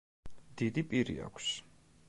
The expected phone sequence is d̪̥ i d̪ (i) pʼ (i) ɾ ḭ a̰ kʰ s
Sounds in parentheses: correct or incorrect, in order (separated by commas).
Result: correct, correct